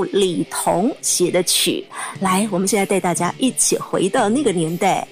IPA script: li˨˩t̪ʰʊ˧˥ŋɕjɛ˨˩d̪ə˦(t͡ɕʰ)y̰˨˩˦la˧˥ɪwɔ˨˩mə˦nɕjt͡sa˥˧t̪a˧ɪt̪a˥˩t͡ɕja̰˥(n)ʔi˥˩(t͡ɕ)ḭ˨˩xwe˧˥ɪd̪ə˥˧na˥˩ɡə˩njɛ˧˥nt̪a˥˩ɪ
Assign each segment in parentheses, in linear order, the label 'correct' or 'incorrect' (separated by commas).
correct, incorrect, incorrect